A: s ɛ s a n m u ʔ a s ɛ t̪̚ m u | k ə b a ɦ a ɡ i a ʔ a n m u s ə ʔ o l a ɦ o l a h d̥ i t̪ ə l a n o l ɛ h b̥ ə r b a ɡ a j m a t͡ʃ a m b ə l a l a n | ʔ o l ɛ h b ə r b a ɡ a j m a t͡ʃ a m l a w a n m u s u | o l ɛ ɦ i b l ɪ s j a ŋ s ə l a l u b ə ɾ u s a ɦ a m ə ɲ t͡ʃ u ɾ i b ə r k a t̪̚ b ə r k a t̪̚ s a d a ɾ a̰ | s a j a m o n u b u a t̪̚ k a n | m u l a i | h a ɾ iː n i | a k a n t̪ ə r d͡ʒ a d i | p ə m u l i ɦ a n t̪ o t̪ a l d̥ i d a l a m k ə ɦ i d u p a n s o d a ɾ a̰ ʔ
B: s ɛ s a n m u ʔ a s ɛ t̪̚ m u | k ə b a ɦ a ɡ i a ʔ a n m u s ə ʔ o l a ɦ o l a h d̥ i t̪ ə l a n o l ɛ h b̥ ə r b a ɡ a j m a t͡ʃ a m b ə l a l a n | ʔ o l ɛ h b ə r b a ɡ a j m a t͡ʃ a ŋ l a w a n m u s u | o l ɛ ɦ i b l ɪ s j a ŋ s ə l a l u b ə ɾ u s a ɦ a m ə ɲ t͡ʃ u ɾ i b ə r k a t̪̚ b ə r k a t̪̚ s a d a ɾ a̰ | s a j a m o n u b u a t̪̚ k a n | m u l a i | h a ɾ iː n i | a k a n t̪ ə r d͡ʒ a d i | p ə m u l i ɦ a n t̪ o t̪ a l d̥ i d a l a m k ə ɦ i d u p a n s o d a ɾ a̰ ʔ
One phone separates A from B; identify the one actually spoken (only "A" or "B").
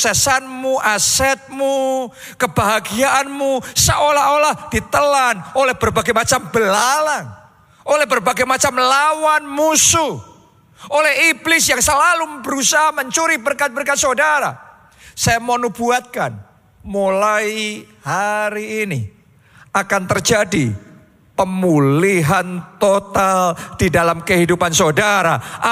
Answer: A